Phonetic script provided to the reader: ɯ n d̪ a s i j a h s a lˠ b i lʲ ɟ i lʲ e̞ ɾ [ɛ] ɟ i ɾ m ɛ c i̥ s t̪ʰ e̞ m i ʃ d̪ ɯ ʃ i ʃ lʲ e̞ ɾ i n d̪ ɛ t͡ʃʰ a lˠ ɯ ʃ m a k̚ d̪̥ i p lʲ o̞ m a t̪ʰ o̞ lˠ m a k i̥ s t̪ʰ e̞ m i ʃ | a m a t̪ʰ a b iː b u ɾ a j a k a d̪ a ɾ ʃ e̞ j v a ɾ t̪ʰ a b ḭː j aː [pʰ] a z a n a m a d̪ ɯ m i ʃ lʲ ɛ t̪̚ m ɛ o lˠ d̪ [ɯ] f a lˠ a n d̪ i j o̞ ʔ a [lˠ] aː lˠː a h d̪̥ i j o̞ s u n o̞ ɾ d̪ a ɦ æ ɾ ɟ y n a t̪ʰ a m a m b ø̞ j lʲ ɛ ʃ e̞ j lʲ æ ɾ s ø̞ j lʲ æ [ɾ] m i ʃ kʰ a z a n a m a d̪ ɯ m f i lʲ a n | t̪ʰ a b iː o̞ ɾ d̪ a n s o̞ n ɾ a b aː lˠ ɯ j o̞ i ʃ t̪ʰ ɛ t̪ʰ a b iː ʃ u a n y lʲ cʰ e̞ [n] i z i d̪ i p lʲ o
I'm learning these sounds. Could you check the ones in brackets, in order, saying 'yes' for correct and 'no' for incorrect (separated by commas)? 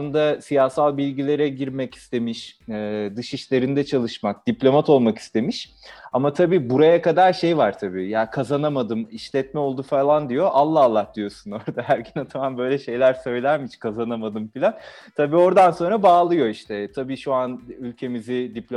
yes, no, no, no, yes, no